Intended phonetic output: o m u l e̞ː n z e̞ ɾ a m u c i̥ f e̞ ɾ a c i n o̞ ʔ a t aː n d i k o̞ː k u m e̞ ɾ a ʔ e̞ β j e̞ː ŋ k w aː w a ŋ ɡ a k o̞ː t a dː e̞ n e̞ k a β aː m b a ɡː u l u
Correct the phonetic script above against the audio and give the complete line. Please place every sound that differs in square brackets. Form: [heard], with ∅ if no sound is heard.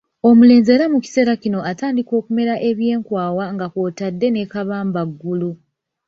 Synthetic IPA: o m u l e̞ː n z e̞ ɾ a m u c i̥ [s] e̞ ɾ a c i n o̞ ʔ a t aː n d i k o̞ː k u m e̞ ɾ a ʔ e̞ β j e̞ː ŋ k w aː w a ŋ ɡ a k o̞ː t a dː e̞ n e̞ k a β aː m b a ɡː u l u